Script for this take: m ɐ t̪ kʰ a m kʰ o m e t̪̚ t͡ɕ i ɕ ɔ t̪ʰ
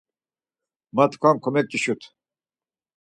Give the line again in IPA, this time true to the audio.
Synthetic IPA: m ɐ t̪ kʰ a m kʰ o m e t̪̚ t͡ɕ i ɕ u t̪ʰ